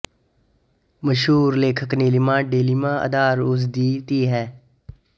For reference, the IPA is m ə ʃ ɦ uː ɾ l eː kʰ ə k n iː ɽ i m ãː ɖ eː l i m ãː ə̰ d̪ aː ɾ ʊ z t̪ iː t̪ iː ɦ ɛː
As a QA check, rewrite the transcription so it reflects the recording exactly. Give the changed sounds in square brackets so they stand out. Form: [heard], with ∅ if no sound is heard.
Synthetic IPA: m ə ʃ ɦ uː ɾ l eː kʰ ə k n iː [l] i m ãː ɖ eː l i m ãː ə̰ d̪ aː ɾ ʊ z [d̪] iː t̪ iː ɦ ɛː